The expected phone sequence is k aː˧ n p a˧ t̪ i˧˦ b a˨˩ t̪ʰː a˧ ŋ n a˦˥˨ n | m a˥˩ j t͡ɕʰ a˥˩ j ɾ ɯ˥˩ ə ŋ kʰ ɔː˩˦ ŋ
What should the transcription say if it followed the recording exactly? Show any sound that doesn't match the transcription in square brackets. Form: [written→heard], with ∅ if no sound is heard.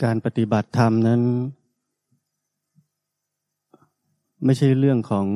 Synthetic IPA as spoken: k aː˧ n p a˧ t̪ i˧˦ b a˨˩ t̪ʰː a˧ [ŋ→m] n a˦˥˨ n | m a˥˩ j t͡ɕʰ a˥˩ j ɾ ɯ˥˩ ə ŋ kʰ ɔː˩˦ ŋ